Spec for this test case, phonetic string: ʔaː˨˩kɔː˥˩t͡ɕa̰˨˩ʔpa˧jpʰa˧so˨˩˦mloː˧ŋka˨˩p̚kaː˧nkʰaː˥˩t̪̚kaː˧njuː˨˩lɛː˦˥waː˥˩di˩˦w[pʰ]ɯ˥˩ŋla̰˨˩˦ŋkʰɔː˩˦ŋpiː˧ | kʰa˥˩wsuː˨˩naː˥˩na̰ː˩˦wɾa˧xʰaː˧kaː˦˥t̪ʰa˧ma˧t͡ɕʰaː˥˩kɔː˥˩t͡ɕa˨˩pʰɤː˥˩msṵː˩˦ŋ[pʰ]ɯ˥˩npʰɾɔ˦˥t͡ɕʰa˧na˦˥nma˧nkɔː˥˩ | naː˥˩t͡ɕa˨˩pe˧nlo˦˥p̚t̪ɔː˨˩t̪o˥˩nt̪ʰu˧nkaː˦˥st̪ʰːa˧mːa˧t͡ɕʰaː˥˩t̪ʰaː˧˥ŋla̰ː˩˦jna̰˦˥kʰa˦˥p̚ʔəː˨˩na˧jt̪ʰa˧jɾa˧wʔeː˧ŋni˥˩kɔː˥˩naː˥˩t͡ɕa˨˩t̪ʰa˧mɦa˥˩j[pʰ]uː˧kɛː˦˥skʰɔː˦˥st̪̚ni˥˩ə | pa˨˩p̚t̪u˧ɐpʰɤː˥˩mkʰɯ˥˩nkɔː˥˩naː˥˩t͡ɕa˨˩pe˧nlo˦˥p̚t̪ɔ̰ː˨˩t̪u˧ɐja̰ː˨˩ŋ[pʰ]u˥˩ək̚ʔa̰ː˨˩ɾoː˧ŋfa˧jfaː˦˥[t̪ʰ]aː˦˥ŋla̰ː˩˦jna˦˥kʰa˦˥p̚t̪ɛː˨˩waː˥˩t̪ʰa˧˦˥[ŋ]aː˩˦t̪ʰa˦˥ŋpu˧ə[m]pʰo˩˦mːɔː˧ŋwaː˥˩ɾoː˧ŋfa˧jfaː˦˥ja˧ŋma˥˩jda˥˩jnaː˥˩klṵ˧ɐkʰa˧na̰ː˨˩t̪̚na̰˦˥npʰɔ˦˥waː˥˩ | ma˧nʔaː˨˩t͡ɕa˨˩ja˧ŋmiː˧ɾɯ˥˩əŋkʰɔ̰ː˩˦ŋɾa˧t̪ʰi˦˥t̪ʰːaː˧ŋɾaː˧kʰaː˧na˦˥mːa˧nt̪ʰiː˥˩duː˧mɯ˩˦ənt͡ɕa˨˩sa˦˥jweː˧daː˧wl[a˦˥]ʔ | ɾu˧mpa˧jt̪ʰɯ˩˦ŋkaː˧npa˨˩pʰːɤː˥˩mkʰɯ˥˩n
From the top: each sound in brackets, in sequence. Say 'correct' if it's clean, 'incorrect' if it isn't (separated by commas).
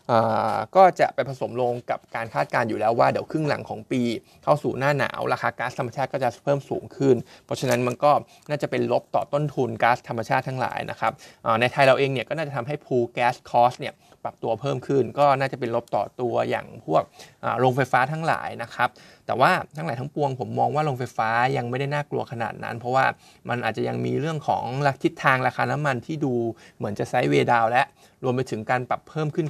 incorrect, incorrect, correct, correct, correct, correct, incorrect, incorrect